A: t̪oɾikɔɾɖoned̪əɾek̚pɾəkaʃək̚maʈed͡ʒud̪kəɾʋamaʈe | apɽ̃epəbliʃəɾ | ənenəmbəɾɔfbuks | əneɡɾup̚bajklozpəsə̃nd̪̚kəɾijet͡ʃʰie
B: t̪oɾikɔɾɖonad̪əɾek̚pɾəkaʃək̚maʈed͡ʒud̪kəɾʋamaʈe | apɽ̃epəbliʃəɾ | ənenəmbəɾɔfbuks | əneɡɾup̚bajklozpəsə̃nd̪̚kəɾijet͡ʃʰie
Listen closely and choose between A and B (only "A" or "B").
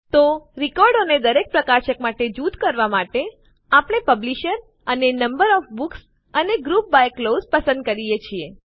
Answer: A